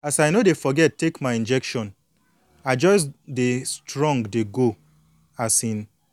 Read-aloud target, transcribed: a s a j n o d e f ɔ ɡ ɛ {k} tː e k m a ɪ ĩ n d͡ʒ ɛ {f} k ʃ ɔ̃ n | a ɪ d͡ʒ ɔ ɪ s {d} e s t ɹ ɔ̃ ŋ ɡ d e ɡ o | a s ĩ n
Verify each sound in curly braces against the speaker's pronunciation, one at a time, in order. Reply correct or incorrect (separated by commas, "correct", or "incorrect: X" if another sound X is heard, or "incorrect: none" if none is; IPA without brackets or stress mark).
incorrect: t, incorrect: none, correct